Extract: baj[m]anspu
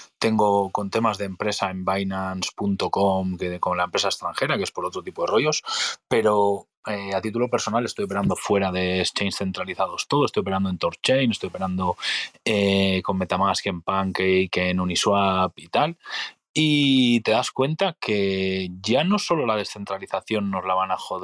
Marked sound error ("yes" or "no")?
yes